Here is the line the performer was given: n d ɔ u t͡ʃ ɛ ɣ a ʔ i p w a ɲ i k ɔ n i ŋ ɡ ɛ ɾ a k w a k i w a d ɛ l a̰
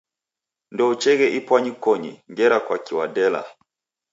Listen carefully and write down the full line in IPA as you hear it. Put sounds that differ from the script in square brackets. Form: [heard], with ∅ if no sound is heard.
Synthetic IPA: n d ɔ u t͡ʃ ɛ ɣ [ɛ] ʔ i p w a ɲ i k ɔ [ɲ] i ŋ ɡ ɛ ɾ a k w a k i w a d ɛ l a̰